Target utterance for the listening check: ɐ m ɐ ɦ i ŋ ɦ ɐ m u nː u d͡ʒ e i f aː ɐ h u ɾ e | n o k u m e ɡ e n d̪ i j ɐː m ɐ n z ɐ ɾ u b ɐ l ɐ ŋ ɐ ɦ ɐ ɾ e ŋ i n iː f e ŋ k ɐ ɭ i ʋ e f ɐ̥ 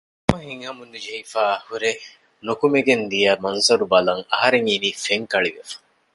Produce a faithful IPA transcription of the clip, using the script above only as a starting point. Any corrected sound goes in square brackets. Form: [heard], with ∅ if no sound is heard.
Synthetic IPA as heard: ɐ m ɐ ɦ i ŋ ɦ ɐ m u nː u d͡ʒ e i f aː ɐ h u ɾ e | n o k u m e ɡ e n d̪ i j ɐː m ɐ n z ɐ ɾ u b ɐ l ɐ ŋ ɐ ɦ ɐ ɾ e ŋ i n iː f e ŋ k ɐ ɭ i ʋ e f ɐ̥